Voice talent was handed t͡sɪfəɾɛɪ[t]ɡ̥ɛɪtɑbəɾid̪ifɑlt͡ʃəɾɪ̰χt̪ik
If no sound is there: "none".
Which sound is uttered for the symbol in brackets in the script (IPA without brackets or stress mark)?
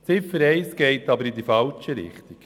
s